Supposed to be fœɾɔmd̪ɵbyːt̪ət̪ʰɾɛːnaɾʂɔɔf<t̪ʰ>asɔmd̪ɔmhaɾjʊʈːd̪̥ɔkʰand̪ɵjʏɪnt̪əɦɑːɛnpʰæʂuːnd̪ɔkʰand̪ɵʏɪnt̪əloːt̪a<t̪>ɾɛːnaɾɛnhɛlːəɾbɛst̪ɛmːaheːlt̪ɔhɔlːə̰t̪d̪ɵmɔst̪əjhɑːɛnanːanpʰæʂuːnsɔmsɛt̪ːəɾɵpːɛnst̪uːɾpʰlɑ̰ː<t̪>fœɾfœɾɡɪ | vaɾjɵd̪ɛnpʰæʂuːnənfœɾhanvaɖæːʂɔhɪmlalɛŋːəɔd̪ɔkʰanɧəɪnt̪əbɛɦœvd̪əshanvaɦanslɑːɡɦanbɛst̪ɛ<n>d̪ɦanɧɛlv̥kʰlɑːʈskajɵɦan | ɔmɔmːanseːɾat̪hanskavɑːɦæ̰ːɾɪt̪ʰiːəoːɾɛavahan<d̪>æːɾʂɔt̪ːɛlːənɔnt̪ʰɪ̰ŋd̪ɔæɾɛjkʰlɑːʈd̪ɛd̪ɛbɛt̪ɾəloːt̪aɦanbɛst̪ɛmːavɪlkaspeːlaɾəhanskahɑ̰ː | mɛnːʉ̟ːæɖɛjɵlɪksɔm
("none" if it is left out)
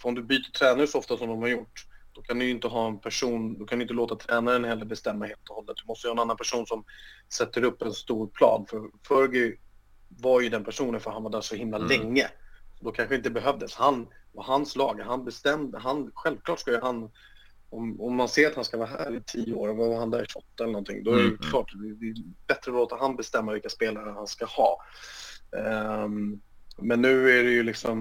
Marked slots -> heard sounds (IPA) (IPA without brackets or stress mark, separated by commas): t̪, t̪ʰ, d̪, m, d̪